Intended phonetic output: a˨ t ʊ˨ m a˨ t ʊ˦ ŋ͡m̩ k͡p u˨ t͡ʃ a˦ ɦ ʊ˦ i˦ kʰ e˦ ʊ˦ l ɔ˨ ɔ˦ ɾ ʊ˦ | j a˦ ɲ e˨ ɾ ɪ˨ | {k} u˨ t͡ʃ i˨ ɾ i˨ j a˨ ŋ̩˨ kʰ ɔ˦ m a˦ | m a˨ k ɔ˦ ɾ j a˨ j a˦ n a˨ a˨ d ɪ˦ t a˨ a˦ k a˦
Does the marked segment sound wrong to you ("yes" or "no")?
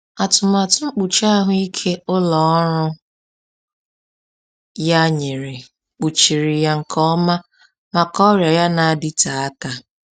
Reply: yes